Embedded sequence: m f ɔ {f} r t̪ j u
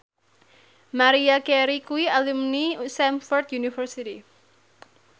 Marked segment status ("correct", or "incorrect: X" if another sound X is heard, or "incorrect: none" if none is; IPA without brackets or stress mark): incorrect: none